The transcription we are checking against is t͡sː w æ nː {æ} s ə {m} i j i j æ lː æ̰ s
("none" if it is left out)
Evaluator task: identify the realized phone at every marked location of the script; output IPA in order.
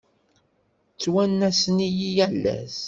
æ, n

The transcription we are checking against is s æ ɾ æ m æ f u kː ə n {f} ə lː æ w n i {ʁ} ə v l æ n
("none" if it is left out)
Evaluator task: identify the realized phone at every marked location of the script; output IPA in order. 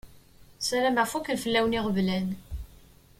f, ʁ

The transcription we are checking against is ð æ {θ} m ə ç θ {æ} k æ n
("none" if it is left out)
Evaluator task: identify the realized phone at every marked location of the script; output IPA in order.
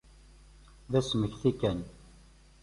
s, i

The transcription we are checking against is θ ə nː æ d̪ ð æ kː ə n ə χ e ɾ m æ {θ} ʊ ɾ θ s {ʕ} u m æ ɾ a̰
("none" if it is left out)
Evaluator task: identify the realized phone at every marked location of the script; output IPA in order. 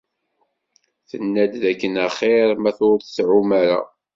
θ, ʕ

